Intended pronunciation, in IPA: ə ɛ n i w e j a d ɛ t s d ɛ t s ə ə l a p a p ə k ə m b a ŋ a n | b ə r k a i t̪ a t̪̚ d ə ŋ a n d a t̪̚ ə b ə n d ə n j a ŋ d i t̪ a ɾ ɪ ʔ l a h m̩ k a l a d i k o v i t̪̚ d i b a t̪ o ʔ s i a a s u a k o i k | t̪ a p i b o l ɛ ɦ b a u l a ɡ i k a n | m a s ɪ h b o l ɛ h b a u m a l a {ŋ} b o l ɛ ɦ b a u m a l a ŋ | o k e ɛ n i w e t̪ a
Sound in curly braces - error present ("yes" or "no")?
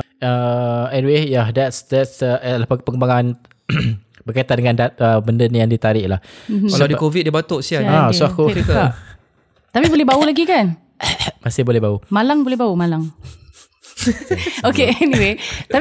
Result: no